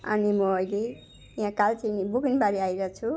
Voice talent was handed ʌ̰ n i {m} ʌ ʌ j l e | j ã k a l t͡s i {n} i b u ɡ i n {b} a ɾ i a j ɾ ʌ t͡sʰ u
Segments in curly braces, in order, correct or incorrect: correct, correct, correct

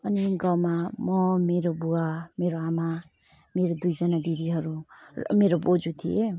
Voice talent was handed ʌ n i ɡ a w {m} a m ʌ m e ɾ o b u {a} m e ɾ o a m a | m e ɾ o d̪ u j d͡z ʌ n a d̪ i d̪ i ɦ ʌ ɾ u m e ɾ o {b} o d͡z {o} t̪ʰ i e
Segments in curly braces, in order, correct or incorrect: correct, correct, correct, incorrect: u

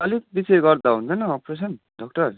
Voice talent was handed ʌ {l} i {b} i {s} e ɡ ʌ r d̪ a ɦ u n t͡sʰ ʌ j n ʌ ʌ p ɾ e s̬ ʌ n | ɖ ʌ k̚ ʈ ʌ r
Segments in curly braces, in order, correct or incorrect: correct, correct, correct

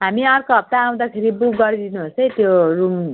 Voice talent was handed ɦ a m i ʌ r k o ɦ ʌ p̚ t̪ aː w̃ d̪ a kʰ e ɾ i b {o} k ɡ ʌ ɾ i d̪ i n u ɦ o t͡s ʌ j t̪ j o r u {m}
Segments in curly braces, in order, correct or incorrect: incorrect: u, correct

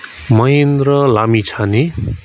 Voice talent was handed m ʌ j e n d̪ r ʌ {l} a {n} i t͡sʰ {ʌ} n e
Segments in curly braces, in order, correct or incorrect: correct, incorrect: m, incorrect: a

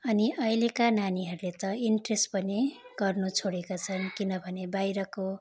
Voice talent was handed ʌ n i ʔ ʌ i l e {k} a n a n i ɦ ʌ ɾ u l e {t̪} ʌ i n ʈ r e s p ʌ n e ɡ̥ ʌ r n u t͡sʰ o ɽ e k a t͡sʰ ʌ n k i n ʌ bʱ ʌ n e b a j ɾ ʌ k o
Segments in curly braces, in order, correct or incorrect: correct, correct

